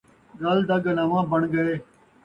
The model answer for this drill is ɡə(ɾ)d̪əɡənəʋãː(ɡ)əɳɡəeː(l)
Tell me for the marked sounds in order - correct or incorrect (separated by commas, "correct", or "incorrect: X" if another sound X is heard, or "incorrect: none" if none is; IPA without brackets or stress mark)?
incorrect: l, incorrect: b, incorrect: none